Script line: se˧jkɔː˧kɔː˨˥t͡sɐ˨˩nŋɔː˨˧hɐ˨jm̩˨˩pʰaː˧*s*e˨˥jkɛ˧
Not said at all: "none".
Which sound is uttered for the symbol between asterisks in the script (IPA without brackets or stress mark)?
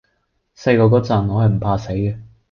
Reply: s